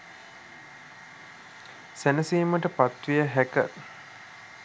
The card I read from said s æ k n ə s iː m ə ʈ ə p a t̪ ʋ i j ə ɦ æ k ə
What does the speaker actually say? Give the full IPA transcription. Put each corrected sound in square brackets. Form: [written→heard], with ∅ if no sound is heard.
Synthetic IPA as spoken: s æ [k→∅] n ə s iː m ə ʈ ə p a t̪ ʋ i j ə ɦ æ k ə